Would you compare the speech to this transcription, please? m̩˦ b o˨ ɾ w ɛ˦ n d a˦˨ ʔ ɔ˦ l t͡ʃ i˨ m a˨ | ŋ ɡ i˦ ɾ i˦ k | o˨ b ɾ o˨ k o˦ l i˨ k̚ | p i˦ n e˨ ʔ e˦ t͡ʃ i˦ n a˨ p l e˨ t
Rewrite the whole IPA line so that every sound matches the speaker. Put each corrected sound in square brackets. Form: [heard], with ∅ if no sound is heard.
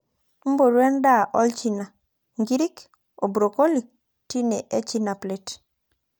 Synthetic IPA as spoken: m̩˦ b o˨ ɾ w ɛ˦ n d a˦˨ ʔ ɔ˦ l t͡ʃ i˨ [n] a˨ | ŋ ɡ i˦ ɾ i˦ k | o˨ b ɾ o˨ k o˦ l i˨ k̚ | [t] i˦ n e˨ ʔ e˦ t͡ʃ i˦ n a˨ p l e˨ t